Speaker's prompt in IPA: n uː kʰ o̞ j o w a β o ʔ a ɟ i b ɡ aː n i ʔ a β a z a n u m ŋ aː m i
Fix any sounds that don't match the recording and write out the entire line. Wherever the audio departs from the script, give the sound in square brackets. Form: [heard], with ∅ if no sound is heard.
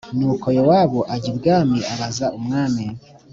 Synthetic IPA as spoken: n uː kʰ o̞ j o w a β o ʔ a ɟ i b ɡ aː [m] i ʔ a β a z a [∅] u m ŋ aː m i